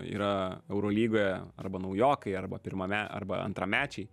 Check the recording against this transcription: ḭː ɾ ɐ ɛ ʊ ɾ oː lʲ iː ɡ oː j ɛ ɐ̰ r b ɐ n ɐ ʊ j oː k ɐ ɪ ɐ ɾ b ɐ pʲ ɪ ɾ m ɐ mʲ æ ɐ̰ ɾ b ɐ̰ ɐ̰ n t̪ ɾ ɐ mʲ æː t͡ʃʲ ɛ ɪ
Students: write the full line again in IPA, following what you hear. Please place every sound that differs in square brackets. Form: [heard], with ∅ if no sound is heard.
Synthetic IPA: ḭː ɾ ɐ ɛ ʊ ɾ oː lʲ iː ɡ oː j ɛ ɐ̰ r b ɐ n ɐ ʊ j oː k ɐ ɪ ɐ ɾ b ɐ pʲ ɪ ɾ m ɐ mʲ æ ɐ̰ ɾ b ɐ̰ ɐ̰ n t̪ ɾ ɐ mʲ æː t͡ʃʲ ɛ ɪ